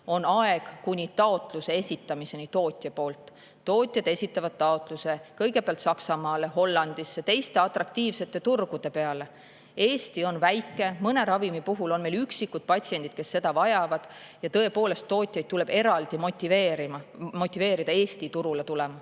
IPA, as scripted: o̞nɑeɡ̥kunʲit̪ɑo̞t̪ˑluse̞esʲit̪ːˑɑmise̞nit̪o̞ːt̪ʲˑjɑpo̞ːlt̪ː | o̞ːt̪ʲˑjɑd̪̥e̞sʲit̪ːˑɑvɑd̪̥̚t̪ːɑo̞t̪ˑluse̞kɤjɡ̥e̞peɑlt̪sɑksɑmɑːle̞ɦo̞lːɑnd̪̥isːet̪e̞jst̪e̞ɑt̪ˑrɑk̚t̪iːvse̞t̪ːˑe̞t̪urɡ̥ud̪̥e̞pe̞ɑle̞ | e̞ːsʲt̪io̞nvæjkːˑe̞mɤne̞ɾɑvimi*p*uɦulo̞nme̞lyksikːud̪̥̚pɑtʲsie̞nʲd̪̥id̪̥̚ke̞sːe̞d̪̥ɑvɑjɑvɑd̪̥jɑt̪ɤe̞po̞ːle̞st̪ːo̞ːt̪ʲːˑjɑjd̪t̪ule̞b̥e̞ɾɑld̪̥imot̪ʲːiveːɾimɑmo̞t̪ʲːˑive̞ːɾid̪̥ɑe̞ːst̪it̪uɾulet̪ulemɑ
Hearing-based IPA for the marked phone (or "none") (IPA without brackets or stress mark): p